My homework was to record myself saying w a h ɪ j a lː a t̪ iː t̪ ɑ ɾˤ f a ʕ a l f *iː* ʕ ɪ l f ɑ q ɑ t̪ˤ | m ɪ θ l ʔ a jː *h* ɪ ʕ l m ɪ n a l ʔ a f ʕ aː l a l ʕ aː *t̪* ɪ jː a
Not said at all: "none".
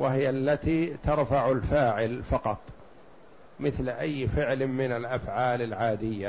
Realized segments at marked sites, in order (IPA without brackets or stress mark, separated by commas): aː, f, d̪